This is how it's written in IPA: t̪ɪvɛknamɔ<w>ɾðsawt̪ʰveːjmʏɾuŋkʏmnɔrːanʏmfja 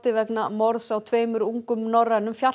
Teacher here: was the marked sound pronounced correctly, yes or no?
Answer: no